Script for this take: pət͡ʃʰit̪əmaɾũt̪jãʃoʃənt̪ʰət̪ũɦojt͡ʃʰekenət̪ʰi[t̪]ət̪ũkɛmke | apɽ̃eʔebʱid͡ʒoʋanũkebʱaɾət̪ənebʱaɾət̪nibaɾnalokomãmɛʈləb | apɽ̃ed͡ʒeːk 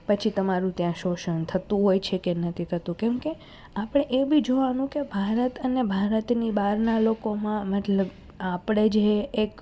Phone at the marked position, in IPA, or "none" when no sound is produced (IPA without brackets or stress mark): t̪ʰ